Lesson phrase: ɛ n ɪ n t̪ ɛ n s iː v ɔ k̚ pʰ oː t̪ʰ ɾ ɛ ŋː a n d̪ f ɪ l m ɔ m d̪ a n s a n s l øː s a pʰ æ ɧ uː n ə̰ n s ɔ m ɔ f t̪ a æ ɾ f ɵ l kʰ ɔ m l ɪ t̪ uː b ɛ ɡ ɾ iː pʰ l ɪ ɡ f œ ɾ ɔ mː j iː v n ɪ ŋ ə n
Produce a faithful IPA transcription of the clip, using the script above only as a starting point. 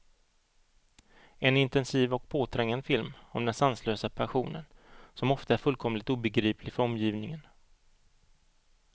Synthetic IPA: ɛ n ɪ n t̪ ɛ n s iː v ɔ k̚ pʰ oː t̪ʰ ɾ ɛ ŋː a n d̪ f ɪ l m ɔ m d̪ ɛ n s a n s l øː s a pʰ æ ɧ uː n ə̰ n s ɔ m ɔ f t̪ a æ ɾ f ɵ l kʰ ɔ m l ɪ t̪ uː b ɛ ɡ ɾ iː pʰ l ɪ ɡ f œ ɾ ɔ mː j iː v n ɪ ŋ ə n